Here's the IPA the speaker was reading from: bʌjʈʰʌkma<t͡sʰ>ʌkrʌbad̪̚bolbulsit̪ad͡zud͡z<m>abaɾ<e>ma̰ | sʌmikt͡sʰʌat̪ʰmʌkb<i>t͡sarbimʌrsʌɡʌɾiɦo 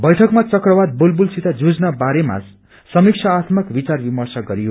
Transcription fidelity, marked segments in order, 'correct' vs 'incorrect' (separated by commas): incorrect, incorrect, correct, correct